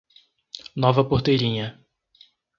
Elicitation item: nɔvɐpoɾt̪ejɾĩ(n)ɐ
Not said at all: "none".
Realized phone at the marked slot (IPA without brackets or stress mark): ɲ